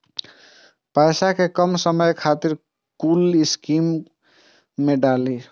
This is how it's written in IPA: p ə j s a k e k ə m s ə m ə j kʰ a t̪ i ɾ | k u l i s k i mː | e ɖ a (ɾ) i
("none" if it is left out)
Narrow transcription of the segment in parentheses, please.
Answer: l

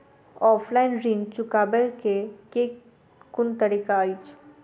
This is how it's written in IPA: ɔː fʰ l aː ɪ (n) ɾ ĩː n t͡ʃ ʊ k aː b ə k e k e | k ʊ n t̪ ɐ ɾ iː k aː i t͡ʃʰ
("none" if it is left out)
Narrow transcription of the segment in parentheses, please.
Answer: n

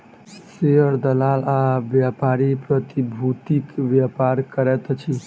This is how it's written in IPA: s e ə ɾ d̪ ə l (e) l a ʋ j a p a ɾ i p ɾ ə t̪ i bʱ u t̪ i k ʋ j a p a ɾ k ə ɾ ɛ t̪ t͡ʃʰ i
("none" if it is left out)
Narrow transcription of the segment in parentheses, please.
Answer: a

